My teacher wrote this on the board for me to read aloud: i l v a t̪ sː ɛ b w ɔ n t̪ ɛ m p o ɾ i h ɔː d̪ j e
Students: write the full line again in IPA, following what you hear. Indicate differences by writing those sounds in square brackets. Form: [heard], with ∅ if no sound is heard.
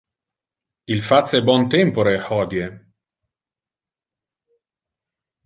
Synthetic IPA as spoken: i l [f] a t̪ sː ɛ b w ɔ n t̪ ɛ m p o ɾ [e] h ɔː d̪ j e